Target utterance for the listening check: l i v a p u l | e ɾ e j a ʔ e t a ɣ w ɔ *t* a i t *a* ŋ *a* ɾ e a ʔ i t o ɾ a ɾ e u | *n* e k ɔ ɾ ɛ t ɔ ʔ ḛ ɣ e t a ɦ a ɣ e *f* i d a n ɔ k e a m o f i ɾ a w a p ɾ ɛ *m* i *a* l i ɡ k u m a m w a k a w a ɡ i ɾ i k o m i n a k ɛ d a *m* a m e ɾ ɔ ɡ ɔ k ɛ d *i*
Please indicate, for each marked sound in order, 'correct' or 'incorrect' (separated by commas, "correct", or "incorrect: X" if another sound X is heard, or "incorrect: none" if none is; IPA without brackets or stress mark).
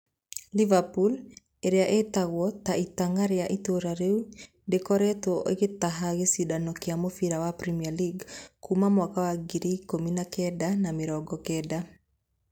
correct, correct, correct, incorrect: d, incorrect: s, correct, correct, incorrect: n, incorrect: a